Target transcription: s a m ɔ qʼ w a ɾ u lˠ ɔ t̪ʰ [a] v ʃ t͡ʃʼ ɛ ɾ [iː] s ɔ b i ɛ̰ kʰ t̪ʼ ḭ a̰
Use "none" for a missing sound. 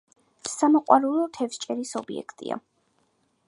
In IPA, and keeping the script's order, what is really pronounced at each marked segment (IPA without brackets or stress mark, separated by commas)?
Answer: ɛ, i